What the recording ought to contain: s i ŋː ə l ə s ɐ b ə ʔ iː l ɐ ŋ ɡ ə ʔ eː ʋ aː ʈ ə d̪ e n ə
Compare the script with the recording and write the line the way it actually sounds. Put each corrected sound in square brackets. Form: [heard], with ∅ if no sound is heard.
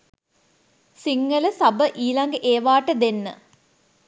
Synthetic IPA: s i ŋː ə l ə s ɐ b ə ʔ iː l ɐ ŋ ɡ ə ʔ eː ʋ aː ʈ ə d̪ e [nː] ə